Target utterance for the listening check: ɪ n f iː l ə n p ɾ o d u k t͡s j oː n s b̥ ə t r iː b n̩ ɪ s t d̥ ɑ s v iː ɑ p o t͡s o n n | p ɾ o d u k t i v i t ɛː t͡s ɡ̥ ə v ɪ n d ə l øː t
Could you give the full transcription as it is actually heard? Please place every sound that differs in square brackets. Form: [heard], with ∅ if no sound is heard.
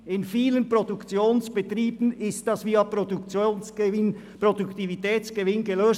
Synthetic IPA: ɪ n f iː l ə n p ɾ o d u k t͡s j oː n s b̥ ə t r iː b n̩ ɪ s t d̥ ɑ s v iː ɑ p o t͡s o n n | p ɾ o d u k t i v i t ɛː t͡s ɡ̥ ə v ɪ n [ɡ] ə l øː [s]